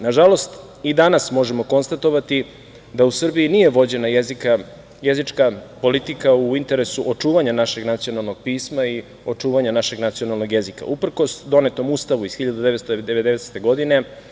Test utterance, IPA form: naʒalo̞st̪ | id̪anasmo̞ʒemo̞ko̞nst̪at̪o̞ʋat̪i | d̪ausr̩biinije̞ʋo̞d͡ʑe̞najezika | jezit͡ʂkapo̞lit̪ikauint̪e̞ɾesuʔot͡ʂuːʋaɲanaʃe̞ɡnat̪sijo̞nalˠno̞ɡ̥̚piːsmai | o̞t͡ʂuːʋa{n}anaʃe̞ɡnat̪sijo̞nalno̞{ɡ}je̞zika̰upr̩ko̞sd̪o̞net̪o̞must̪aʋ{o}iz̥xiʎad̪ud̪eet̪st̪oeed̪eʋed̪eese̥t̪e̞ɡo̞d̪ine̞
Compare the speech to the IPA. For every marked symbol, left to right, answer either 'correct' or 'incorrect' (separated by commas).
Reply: incorrect, correct, incorrect